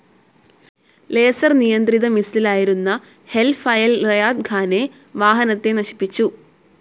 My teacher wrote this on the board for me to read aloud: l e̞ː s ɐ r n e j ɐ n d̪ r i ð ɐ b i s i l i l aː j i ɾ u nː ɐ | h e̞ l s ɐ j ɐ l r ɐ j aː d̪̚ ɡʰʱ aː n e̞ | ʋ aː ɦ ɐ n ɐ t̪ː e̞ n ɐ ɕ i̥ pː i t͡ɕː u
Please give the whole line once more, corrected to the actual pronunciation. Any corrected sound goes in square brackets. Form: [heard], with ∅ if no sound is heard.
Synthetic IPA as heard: l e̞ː s ɐ r n [i] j ɐ n d̪ r i ð ɐ [m] i s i l i l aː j i ɾ u nː ɐ | h e̞ l [f] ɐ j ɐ l r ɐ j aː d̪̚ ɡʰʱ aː n e̞ | ʋ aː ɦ ɐ n ɐ t̪ː e̞ n ɐ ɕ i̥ pː i t͡ɕː u

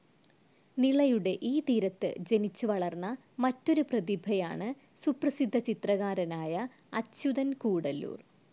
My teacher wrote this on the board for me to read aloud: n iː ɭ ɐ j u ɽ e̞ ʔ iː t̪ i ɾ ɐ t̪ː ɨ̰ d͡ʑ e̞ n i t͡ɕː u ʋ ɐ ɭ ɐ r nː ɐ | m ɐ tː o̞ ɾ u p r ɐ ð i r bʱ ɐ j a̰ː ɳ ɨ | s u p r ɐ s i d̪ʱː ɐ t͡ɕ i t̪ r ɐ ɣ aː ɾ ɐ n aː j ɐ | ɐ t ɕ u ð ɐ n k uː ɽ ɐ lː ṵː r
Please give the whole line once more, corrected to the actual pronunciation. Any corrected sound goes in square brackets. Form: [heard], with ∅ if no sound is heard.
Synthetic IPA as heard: n [i] ɭ ɐ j u ɽ e̞ ʔ iː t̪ [iː] ɾ ɐ t̪ː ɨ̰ d͡ʑ e̞ n i t͡ɕː u ʋ ɐ ɭ ɐ r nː ɐ | m ɐ tː o̞ ɾ u p r ɐ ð i [∅] bʱ ɐ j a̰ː ɳ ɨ | s u p r ɐ s i d̪ʱː ɐ t͡ɕ i t̪ r ɐ ɣ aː ɾ ɐ n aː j ɐ | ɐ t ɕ u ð ɐ n k uː ɽ ɐ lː ṵː r

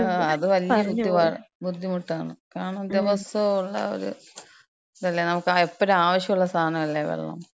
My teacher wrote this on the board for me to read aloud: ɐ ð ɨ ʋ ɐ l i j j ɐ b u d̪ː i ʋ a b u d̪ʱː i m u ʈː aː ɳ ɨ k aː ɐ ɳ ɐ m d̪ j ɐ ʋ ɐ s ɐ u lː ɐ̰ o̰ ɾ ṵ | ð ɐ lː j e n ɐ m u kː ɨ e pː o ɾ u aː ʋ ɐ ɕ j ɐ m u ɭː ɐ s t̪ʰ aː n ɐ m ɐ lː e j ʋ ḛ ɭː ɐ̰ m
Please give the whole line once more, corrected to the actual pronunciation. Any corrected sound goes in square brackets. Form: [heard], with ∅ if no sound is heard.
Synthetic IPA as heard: ɐ ð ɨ ʋ ɐ l i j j ɐ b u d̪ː i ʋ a b u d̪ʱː i m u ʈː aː ɳ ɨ k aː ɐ ɳ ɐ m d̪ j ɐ ʋ ɐ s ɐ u [ɭː] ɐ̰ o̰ ɾ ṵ | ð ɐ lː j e n ɐ m u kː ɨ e pː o ɾ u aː ʋ ɐ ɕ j ɐ m u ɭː ɐ s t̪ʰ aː n ɐ m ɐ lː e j ʋ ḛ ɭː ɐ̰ m

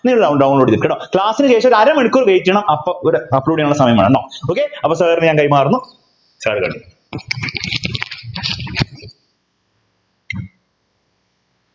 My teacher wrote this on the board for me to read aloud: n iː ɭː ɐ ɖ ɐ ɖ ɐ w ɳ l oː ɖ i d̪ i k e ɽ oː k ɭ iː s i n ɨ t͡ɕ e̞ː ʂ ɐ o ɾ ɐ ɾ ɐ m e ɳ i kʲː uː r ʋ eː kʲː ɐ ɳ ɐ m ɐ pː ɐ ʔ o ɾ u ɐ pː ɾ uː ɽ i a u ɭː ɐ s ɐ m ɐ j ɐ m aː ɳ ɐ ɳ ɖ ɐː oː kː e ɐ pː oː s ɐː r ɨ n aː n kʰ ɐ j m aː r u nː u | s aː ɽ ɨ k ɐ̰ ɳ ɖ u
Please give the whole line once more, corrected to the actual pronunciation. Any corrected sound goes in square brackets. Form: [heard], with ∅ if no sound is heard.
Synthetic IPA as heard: n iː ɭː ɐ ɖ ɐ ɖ ɐ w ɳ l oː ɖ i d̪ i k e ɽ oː k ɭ [aː] s i n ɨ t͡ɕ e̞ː ʂ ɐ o ɾ ɐ ɾ ɐ m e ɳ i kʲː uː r ʋ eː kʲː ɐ ɳ ɐ m ɐ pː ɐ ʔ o ɾ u ɐ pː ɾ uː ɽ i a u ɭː ɐ s ɐ m ɐ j ɐ m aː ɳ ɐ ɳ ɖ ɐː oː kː e ɐ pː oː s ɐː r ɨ [ɲ] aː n [k] ɐ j m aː r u nː u | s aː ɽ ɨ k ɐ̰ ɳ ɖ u

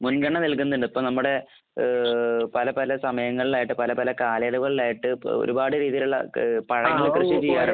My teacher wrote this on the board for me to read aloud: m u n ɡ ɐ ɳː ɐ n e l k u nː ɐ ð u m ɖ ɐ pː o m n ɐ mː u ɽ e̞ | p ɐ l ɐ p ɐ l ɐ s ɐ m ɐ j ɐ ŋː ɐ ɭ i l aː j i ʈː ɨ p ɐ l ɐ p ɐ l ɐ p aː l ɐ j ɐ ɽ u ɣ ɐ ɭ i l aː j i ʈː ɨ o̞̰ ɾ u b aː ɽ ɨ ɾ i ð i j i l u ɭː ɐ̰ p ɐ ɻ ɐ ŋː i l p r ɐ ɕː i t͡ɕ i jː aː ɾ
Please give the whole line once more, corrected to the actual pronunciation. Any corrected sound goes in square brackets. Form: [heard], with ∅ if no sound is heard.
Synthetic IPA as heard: m u n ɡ ɐ ɳː ɐ n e l k u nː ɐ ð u [ɳ] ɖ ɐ pː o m n ɐ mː u ɽ e̞ | p ɐ l ɐ p ɐ l ɐ s ɐ m ɐ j ɐ ŋː ɐ ɭ i l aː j i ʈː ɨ p ɐ l ɐ p ɐ l ɐ [k] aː l ɐ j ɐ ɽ u ɣ ɐ ɭ i l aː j i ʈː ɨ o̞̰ ɾ u b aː ɽ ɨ ɾ [iː] ð i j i l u ɭː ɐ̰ p ɐ ɻ ɐ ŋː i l [k] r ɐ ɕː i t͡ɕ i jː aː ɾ

